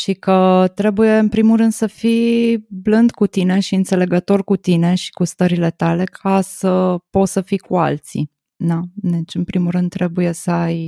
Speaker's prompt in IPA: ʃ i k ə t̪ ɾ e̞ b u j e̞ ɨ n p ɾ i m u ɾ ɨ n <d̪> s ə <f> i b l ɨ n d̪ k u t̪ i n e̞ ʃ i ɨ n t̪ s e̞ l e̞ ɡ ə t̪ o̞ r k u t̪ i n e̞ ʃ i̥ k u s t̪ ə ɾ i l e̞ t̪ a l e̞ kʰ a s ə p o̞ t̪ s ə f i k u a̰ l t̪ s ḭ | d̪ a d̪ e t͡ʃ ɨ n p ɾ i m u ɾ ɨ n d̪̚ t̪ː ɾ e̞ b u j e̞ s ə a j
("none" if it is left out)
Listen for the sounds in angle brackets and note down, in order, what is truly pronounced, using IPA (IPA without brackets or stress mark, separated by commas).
d̪, f